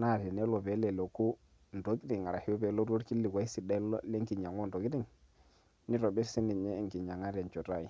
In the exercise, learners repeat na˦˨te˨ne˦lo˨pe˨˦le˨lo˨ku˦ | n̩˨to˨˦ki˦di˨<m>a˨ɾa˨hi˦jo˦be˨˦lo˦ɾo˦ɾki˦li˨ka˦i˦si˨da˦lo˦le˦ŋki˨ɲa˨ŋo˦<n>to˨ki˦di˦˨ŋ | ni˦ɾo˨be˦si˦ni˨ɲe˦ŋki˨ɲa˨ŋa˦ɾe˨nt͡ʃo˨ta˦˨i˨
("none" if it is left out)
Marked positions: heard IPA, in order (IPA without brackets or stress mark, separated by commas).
ŋ, n